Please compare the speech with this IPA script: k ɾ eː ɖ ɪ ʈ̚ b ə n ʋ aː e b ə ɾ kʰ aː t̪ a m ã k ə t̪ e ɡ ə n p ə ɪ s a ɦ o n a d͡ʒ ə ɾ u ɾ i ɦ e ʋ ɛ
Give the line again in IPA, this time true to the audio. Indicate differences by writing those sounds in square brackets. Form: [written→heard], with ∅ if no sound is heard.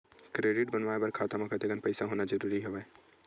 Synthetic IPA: k ɾ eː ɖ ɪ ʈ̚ b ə n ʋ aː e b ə ɾ kʰ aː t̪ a m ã k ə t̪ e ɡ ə n p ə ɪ s a ɦ o n a d͡ʒ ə ɾ u ɾ i ɦ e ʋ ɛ